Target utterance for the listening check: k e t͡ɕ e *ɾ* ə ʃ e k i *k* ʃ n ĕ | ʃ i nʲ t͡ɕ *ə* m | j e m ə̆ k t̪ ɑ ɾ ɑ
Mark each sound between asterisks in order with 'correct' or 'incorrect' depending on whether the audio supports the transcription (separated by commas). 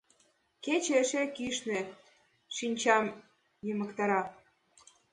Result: incorrect, incorrect, incorrect